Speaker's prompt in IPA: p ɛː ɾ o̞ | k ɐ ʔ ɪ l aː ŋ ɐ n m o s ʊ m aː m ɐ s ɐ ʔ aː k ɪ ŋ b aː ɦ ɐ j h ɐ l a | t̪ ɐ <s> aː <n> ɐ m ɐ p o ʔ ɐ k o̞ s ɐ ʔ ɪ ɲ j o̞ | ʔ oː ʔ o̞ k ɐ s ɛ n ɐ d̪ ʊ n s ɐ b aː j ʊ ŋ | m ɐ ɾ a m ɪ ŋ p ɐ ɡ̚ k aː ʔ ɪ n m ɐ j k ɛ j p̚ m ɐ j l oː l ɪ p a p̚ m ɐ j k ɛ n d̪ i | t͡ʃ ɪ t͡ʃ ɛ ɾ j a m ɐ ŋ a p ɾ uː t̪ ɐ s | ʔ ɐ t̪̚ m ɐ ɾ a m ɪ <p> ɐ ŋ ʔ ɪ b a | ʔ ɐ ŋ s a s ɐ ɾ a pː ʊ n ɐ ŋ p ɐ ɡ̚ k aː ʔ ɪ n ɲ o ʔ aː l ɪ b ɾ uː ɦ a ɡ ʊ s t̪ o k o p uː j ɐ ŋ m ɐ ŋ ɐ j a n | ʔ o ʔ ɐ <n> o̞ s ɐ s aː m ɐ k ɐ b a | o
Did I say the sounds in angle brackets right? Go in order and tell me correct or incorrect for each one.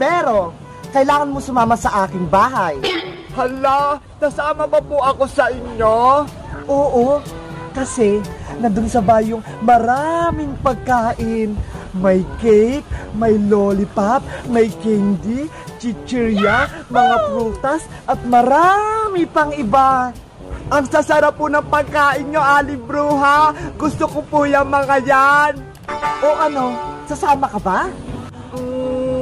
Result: correct, incorrect, correct, correct

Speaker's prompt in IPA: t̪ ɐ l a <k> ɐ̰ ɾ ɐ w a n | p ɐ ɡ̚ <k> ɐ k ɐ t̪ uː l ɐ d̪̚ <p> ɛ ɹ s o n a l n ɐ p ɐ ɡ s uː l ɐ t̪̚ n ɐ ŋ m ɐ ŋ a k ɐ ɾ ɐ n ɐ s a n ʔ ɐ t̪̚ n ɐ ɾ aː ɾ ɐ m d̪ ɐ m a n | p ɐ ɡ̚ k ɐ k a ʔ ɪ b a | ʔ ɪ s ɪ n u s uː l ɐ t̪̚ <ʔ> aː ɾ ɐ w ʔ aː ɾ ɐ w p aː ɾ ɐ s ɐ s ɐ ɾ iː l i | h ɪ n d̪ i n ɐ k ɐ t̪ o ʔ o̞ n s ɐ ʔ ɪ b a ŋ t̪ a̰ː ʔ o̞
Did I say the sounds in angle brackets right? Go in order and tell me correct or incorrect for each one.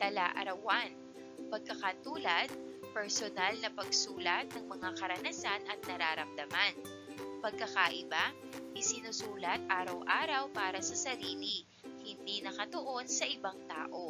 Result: incorrect, correct, correct, correct

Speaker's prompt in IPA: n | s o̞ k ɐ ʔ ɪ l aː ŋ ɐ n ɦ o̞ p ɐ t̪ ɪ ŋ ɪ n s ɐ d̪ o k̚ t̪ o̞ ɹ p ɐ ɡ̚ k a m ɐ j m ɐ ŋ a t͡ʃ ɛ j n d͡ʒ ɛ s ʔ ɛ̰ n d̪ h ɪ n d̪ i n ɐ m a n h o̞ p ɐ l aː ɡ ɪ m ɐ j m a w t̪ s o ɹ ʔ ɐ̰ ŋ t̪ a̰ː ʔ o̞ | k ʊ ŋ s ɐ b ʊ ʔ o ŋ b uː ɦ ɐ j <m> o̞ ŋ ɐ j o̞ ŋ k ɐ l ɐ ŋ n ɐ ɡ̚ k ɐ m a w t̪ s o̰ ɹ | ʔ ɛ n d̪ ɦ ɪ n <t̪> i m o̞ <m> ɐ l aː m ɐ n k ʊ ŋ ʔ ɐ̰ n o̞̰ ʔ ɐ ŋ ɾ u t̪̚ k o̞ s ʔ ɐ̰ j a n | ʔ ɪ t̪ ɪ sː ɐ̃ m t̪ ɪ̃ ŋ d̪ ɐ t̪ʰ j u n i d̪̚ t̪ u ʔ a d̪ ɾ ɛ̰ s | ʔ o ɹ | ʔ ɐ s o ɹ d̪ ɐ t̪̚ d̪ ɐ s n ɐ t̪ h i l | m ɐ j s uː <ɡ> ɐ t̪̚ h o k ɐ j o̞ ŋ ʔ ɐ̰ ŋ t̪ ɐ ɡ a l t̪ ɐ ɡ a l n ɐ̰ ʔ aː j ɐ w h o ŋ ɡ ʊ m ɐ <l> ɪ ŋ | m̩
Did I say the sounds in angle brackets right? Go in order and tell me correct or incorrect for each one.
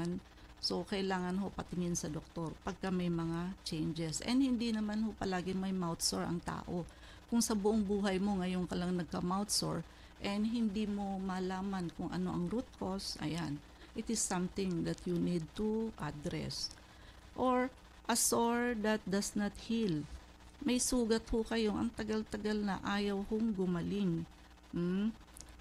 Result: correct, incorrect, correct, correct, correct

